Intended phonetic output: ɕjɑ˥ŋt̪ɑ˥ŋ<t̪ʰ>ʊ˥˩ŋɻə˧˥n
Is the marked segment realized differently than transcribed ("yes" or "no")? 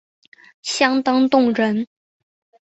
yes